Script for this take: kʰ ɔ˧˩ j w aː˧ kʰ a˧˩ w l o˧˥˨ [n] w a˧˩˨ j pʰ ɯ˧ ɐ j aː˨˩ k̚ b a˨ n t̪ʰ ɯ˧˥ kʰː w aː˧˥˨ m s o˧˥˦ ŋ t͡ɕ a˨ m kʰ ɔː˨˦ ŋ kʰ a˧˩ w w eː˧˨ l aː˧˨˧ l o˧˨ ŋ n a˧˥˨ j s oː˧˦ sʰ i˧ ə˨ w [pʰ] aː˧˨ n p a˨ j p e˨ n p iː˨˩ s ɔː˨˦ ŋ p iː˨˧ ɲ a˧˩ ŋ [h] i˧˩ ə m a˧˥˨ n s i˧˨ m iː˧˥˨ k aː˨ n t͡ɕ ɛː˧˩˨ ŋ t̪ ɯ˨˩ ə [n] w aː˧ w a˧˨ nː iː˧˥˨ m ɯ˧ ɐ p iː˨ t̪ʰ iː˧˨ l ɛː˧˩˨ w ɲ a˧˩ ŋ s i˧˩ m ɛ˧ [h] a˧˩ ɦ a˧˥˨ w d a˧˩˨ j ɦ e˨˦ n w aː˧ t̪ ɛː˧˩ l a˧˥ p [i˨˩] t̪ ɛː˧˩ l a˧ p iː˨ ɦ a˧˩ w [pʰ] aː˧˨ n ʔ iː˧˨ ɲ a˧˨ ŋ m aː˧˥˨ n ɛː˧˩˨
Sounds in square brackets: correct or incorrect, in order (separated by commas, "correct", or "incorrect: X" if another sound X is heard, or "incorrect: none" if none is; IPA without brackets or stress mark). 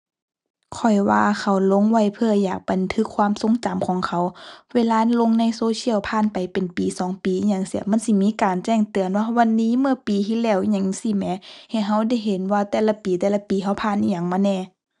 incorrect: ŋ, correct, incorrect: s, correct, correct, incorrect: iː˨˩, correct